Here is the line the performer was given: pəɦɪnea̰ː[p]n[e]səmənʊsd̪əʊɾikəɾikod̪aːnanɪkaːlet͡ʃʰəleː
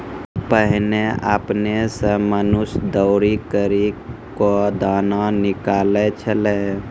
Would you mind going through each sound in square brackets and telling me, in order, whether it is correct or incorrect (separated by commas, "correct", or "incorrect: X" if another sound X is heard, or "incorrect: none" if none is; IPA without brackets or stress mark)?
correct, correct